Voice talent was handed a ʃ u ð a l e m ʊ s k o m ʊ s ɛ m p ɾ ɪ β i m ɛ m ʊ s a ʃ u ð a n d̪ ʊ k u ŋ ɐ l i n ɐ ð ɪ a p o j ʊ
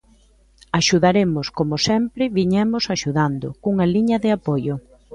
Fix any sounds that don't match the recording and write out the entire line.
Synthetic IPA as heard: a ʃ u ð a ɾ e m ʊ s k o m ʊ s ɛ m p ɾ ɪ β i ɲ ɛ m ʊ s a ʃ u ð a n d̪ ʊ k u ŋ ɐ l i ɲ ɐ ð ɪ a p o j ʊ